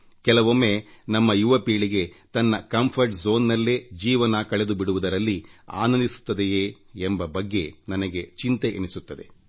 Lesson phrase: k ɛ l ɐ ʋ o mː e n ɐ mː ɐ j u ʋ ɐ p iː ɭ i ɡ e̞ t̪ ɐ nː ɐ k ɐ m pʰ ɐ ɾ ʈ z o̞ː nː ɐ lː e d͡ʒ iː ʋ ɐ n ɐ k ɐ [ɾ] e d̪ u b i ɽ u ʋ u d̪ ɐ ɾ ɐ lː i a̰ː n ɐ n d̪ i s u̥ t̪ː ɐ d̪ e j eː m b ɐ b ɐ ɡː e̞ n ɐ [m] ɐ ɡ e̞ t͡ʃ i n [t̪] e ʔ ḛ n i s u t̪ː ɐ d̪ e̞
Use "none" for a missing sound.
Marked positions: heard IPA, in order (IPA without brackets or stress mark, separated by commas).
ɭ, n, t̪